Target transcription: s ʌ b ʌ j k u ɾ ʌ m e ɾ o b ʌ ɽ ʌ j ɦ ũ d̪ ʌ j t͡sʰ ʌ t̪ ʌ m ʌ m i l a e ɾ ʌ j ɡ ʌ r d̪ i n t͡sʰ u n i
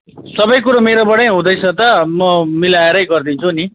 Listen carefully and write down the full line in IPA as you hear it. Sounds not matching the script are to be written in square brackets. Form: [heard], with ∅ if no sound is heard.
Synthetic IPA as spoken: s ʌ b ʌ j k u ɾ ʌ m e ɾ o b ʌ ɽ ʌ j ɦ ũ d̪ ʌ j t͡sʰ ʌ t̪ ʌ m ʌ m i l a e ɾ ʌ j ɡ ʌ r d̪ i n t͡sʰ u n i